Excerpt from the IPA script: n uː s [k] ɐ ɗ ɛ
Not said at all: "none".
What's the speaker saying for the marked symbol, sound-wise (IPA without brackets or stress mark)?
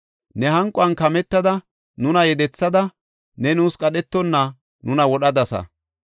kʼ